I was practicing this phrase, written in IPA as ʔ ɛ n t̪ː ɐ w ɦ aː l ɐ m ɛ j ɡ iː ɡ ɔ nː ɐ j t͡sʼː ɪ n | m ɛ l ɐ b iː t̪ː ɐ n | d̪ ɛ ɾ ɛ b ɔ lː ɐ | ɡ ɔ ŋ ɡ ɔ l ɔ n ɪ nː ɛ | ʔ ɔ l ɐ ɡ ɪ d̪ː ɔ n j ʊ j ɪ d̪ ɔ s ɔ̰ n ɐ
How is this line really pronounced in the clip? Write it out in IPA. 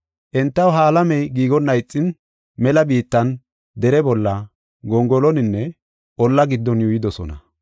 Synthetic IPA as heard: ʔ ɛ n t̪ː ɐ w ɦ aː l ɐ m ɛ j ɡ iː ɡ ɔ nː ɐ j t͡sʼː ɪ n | m ɛ l ɐ b iː t̪ː ɐ n | d̪ ɛ ɾ ɛ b ɔ lː ɐ | ɡ ɔ ŋ ɡ ɔ l ɔ n ɪ nː ɛ | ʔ ɔ lː ɐ ɡ ɪ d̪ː ɔ n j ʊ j ɪ d̪ ɔ s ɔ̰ n ɐ

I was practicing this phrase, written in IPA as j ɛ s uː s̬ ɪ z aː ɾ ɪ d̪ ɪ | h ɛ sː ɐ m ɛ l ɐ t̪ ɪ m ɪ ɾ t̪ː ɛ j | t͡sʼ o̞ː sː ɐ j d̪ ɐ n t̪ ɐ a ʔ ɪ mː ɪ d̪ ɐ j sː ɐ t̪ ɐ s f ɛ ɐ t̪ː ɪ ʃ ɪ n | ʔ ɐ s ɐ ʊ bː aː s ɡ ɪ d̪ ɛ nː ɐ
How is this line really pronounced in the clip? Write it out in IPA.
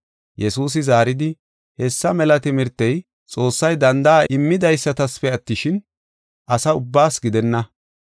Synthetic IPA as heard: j ɛ s uː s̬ ɪ z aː ɾ ɪ d̪ ɪ | h ɛ sː ɐ m ɛ l ɐ t̪ ɪ m ɪ ɾ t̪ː ɛ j | t͡sʼ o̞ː sː ɐ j d̪ ɐ n d̪ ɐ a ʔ ɪ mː ɪ d̪ ɐ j sː ɐ t̪ ɐ s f ɛ ɐ t̪ː ɪ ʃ ɪ n | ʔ ɐ s ɐ ʊ bː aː s ɡ ɪ d̪ ɛ nː ɐ

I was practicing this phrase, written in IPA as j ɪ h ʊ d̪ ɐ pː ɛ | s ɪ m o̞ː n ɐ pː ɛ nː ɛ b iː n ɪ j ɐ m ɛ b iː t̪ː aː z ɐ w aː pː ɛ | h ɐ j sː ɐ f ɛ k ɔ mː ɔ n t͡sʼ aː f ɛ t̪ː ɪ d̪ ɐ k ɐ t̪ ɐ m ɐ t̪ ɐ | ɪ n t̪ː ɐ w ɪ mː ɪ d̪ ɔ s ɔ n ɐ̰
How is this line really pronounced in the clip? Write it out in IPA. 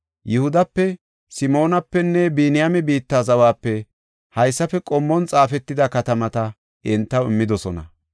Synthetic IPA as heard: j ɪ h ʊ d̪ ɐ pː ɛ | s ɪ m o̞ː n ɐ pː ɛ nː ɛ b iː n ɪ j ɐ m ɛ b iː t̪ː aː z ɐ w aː pː ɛ | h ɐ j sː ɐ f ɛ kʼ ɔ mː ɔ n t͡sʼ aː f ɛ t̪ː ɪ d̪ ɐ k ɐ t̪ ɐ m ɐ t̪ ɐ | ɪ n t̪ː ɐ w ɪ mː ɪ d̪ ɔ s ɔ n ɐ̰

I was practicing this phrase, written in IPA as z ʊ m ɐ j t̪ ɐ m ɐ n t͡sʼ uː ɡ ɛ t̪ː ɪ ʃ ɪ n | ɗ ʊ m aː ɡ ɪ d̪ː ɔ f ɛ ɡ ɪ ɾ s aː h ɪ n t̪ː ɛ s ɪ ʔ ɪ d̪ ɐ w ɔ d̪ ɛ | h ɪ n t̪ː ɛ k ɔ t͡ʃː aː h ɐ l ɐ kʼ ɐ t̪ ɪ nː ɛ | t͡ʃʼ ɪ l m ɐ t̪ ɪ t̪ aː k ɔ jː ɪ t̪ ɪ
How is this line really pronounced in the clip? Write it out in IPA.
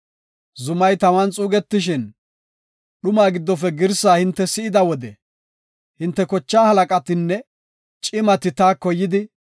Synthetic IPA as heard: z ʊ m ɐ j t̪ ɐ m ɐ n t͡sʼ uː ɡ ɛ t̪ː ɪ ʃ ɪ n | ɗ ʊ m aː ɡ ɪ d̪ː ɔ f ɛ ɡ ɪ ɾ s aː h ɪ n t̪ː ɛ s ɪ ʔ ɪ d̪ ɐ w ɔ d̪ ɛ | h ɪ n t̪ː ɛ k ɔ t͡ʃː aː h ɐ l ɐ kʼ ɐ t̪ ɪ nː ɛ | t͡ʃʼ ɪ m ɐ t̪ ɪ t̪ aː k ɔ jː ɪ d̪ ɪ

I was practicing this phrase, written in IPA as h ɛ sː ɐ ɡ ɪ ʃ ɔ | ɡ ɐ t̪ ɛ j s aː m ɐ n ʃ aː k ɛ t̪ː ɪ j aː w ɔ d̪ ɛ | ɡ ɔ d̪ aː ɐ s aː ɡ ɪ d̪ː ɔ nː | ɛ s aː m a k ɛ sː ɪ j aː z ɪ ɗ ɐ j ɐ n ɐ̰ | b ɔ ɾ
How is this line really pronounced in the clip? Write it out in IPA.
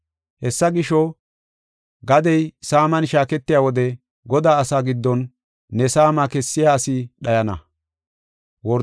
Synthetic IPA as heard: h ɛ sː ɐ ɡ ɪ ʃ ɔ | ɡ ɐ d̪ ɛ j s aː m ɐ n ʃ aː k ɛ t̪ː ɪ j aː w ɔ d̪ ɛ | ɡ ɔ d̪ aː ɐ s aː ɡ ɪ d̪ː ɔ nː | ɛ s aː m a k ɛ sː ɪ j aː s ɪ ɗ ɐ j ɐ n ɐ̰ | w ɔ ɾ

